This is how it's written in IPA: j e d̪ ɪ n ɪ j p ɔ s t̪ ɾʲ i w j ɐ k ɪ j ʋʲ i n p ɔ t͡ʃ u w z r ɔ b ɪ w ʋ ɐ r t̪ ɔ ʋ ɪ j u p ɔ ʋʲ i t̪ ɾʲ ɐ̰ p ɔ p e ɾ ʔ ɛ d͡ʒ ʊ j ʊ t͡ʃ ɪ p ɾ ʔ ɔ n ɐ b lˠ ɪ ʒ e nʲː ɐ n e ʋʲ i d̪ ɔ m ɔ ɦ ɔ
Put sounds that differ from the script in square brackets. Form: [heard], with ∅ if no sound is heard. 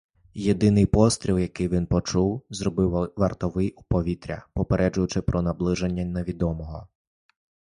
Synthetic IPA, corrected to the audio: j e d̪ ɪ n ɪ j p ɔ s t̪ ɾʲ i w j ɐ k ɪ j ʋʲ i n p ɔ t͡ʃ u w z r ɔ b ɪ w ʋ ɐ r t̪ ɔ ʋ ɪ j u p ɔ ʋʲ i t̪ ɾʲ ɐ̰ p ɔ p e ɾ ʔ ɛ d͡ʒ ʊ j ʊ t͡ʃ ɪ p ɾ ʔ ɔ n ɐ b lˠ ɪ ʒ e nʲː ɐ n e ʋʲ i d̪ ɔ m ɔ ɦ ɔ